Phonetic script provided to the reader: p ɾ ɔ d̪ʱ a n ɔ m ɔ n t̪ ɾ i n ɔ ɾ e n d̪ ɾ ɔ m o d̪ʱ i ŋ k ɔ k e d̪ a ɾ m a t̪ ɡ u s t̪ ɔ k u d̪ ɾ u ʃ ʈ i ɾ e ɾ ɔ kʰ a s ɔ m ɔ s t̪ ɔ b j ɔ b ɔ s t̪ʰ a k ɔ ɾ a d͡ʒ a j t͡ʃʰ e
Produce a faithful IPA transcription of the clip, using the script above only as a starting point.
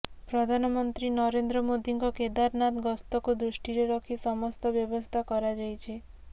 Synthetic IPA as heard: p ɾ ɔ d̪ʱ a n ɔ m ɔ n t̪ ɾ i n ɔ ɾ e n d̪ ɾ ɔ m o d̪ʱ i ŋ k ɔ k e d̪ a ɾ n a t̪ ɡ ɔ s t̪ ɔ k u d̪ ɾ u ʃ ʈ i ɾ e ɾ ɔ kʰ i s ɔ m ɔ s t̪ ɔ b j ɔ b ɔ s t̪ʰ a k ɔ ɾ a d͡ʒ a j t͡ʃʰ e